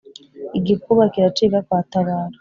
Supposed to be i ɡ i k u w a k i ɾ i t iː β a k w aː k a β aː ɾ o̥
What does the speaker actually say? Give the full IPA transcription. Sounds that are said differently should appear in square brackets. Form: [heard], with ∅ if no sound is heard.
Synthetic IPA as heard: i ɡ i k u [β] a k i ɾ [a] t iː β a k w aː [t] a β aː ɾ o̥